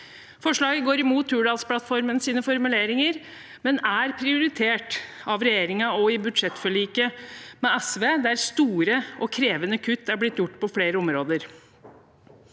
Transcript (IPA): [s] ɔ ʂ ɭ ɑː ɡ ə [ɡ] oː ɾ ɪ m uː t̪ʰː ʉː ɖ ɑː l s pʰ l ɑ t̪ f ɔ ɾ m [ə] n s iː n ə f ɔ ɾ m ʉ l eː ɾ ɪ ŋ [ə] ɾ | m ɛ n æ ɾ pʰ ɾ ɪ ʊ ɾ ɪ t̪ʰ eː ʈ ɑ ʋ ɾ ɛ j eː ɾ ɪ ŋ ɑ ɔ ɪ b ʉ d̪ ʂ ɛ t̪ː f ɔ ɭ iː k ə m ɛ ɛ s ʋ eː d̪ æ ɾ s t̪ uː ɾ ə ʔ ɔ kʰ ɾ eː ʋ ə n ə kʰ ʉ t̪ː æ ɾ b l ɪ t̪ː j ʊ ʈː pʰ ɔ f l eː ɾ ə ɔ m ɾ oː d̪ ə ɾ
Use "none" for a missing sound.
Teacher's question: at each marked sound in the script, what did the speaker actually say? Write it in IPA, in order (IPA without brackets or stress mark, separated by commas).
f, ɡ, ə, ə